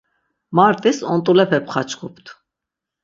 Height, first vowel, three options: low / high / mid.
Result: low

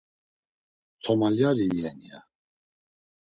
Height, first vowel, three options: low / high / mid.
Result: mid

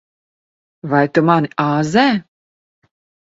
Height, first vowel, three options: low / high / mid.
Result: low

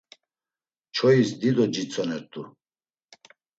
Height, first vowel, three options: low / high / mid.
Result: mid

